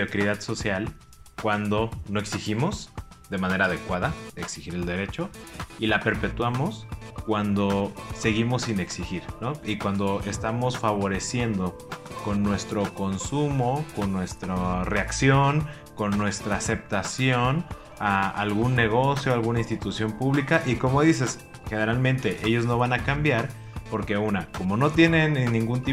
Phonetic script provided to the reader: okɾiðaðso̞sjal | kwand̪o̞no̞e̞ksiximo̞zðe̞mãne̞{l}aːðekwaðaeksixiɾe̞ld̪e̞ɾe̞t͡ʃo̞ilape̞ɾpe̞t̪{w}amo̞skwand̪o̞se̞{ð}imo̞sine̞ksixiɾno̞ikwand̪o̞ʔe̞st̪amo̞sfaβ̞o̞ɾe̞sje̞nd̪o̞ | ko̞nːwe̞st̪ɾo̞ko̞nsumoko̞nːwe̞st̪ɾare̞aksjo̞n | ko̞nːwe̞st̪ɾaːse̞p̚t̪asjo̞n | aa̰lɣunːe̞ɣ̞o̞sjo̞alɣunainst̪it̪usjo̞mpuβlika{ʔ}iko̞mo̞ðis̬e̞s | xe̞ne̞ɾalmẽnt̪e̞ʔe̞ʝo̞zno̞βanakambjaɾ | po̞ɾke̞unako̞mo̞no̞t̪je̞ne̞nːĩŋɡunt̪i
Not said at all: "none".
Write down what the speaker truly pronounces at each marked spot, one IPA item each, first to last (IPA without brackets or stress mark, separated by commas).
ɾ, w, ɣ, ʔ